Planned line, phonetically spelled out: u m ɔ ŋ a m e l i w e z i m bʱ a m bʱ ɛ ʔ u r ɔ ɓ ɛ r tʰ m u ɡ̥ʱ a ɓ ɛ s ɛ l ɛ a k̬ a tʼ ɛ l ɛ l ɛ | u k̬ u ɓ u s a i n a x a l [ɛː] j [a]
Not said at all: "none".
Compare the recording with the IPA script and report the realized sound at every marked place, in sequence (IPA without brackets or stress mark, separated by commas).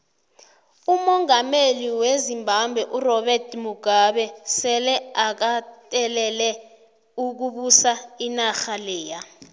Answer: ɛː, a